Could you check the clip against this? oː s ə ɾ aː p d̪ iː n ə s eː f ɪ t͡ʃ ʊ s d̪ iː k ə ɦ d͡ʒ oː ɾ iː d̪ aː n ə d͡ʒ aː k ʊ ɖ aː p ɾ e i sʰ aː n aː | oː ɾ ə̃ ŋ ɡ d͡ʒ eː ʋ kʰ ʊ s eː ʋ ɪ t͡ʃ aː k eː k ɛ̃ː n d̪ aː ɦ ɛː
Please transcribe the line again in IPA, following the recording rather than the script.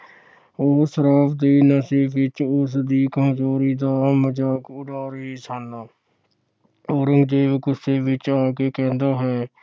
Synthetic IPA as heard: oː s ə ɾ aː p d̪ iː n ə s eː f ɪ t͡ʃ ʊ s d̪ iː k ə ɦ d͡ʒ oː ɾ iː d̪ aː m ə d͡ʒ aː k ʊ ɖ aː ɾ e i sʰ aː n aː | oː ɾ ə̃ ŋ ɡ d͡ʒ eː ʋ k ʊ s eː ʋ ɪ t͡ʃ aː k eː k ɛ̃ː n d̪ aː ɦ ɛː